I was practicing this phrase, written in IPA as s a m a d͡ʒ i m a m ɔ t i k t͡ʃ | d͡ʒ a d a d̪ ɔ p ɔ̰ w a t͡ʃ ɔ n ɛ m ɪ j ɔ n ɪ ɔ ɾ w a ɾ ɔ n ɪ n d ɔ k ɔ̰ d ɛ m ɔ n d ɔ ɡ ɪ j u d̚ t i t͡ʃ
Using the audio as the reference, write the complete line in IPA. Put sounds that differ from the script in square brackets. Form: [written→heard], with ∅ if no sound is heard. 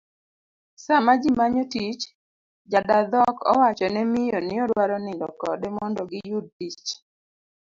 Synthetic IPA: s a m a d͡ʒ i m a [m→ɲ] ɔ t i [k→∅] t͡ʃ | d͡ʒ a d a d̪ ɔ [p→k] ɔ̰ w a t͡ʃ ɔ n ɛ m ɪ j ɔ n ɪ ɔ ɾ w a ɾ ɔ n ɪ n d ɔ k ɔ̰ d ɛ m ɔ n d ɔ ɡ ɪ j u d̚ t i t͡ʃ